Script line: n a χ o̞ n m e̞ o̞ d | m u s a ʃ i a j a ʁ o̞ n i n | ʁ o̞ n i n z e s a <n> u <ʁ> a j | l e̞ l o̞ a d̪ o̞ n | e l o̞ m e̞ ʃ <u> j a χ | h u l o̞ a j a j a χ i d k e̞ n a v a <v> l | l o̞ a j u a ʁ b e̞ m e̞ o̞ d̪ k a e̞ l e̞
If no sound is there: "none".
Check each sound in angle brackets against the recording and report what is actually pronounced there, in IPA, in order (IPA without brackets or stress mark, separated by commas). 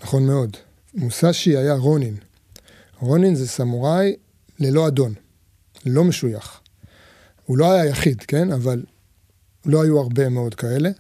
m, ʁ, u, none